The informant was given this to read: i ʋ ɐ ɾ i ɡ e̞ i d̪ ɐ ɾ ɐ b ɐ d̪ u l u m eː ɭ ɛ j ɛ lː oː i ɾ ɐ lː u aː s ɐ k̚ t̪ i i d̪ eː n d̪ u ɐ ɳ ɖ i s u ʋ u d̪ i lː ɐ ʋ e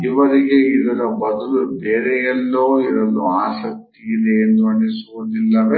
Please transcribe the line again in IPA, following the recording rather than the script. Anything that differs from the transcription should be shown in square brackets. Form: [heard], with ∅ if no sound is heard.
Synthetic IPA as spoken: i ʋ ɐ ɾ i ɡ e̞ i d̪ ɐ ɾ ɐ b ɐ d̪ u l u [b] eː [ɾ] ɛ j ɛ lː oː i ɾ ɐ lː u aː s ɐ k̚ t̪ i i d̪ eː n d̪ u ɐ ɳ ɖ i s u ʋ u d̪ i lː ɐ ʋ e